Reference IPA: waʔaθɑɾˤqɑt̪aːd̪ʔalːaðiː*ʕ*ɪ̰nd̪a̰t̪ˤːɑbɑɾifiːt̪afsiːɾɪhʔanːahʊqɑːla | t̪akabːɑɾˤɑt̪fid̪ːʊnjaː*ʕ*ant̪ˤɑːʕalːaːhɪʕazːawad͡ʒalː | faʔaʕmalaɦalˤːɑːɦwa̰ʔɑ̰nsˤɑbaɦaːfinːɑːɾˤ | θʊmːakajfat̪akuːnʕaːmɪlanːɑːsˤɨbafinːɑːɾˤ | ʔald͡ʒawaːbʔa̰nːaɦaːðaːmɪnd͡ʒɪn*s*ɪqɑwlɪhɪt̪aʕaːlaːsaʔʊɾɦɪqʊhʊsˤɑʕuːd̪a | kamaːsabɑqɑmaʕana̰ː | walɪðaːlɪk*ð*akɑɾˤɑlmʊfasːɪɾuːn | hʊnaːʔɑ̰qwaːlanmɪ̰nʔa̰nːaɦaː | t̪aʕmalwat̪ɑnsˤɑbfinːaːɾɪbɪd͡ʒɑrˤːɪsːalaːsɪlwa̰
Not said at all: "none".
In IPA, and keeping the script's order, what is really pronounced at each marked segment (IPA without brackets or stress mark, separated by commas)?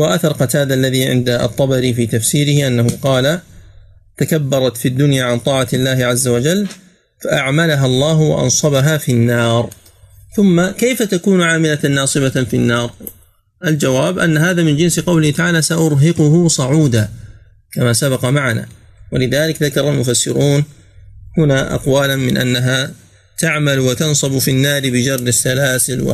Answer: ʕ, ʕ, s, ð